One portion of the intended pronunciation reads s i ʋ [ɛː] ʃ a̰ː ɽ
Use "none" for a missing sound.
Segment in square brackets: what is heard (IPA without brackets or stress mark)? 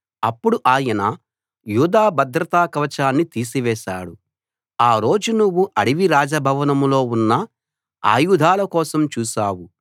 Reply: ɛː